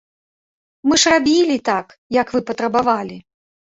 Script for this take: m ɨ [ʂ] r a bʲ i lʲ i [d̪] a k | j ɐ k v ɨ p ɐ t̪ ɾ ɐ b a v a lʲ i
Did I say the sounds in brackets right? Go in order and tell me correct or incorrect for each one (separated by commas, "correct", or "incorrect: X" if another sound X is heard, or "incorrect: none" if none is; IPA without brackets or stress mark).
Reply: correct, incorrect: t̪